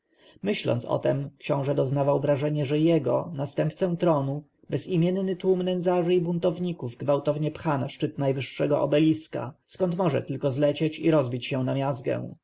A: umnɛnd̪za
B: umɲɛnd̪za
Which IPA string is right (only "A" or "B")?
A